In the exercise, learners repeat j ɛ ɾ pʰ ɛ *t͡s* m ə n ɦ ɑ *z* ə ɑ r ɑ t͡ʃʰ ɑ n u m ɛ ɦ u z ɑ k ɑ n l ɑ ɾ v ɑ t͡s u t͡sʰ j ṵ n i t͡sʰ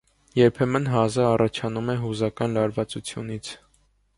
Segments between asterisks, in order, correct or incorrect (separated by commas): incorrect, correct